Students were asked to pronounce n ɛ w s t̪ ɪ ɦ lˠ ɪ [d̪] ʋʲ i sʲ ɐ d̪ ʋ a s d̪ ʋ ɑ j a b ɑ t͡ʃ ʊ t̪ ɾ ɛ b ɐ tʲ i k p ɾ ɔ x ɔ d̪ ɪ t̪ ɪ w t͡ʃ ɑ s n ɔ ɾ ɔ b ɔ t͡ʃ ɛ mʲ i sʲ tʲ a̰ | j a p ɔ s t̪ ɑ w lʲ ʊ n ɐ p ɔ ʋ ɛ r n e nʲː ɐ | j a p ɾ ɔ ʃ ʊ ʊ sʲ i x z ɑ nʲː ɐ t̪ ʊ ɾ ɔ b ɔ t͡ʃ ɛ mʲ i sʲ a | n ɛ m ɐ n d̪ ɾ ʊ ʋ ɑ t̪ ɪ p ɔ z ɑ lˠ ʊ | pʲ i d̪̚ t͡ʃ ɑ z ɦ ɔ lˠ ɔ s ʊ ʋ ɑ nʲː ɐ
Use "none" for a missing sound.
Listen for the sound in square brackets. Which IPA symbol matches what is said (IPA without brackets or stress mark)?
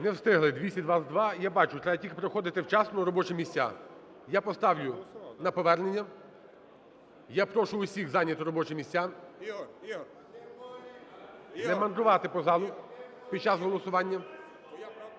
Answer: d̪